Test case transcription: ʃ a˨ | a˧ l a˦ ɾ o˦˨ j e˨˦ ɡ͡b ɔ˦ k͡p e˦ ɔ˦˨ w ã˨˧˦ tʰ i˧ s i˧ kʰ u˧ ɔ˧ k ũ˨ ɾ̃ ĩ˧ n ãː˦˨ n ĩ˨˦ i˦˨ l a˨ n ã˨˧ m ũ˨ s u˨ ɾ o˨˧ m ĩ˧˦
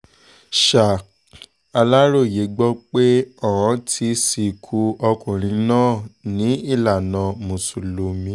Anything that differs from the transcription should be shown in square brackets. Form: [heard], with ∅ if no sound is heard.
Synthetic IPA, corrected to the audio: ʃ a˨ | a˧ l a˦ ɾ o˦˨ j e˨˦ ɡ͡b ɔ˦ k͡p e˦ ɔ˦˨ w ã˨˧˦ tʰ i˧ s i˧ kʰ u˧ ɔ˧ k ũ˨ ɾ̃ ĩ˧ n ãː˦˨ n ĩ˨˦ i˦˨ l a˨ n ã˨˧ m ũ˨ s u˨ [l] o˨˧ m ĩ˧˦